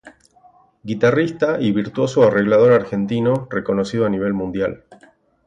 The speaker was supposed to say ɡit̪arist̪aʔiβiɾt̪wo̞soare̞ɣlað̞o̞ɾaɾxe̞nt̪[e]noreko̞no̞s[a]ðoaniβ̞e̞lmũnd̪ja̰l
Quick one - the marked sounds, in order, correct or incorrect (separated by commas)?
incorrect, incorrect